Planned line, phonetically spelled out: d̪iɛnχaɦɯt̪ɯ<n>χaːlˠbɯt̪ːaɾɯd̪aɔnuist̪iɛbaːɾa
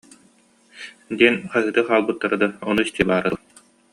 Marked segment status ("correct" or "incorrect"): incorrect